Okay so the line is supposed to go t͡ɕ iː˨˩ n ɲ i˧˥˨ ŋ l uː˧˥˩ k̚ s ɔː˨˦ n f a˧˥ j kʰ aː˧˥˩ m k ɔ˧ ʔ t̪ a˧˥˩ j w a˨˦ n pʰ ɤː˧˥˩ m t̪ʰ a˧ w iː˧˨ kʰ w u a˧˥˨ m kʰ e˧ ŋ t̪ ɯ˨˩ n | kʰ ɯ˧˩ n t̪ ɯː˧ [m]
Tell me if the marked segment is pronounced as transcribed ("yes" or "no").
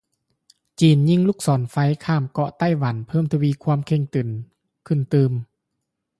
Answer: yes